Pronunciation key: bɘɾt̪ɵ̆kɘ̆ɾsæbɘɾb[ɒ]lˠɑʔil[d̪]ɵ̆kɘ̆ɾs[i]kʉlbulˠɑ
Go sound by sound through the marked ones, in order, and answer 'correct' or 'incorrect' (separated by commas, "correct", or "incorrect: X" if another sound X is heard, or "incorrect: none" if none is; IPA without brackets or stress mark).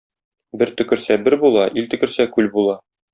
incorrect: u, incorrect: t̪, incorrect: æ